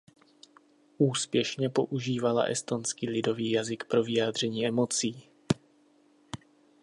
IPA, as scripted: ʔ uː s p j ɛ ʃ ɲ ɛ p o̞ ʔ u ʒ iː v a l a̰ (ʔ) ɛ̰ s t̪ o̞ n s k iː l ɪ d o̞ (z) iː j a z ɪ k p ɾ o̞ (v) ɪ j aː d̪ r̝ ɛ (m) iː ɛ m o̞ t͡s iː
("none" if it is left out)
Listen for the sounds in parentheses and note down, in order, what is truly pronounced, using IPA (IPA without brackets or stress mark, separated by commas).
ʔ, v, v, ɲ